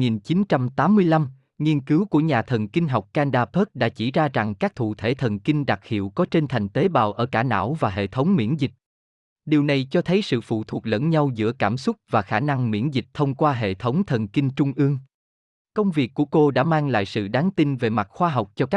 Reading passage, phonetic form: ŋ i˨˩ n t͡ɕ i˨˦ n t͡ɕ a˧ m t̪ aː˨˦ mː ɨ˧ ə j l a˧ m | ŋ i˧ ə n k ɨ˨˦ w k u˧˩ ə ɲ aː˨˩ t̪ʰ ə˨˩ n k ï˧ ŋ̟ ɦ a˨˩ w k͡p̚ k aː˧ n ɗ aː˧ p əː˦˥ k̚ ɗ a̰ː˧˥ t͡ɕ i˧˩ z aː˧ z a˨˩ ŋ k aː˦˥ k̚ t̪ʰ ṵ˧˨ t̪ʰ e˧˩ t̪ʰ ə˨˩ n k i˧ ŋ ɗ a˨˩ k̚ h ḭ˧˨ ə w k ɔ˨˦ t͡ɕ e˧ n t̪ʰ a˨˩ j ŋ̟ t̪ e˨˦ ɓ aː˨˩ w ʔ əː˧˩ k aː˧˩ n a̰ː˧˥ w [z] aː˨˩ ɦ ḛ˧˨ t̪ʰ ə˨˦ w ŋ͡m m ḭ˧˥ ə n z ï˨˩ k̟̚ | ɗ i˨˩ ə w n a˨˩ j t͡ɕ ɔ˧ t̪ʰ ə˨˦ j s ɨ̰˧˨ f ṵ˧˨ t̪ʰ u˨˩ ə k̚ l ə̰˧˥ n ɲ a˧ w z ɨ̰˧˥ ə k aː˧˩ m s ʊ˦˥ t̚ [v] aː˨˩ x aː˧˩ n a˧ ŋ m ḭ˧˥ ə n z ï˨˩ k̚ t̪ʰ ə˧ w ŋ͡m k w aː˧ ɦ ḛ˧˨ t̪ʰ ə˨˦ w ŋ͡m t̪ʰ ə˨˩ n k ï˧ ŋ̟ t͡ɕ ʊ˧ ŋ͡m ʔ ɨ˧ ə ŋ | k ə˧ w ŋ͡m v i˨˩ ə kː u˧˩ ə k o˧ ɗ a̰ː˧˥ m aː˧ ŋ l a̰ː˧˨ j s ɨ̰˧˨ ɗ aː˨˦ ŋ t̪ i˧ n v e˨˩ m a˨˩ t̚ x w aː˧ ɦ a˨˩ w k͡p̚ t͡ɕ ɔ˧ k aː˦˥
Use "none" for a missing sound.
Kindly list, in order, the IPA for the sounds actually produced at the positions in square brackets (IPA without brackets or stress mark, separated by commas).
v, v